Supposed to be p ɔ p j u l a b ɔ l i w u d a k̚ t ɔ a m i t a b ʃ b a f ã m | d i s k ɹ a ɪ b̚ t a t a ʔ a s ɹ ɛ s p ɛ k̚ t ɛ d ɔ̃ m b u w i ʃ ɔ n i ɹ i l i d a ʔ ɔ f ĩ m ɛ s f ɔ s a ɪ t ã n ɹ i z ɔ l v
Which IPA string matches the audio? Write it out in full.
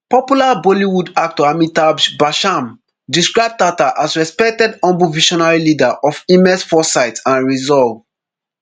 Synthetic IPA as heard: p ɔ p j u l a b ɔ l i w u d a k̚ t ɔ a m i t a b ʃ b a ʃ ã m | d i s k ɹ a ɪ b̚ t a t a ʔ a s ɹ ɛ s p ɛ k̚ t ɛ d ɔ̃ m b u v i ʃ ɔ n a ɹ i l i d a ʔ ɔ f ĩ m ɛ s f ɔ s a ɪ t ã n ɹ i z ɔ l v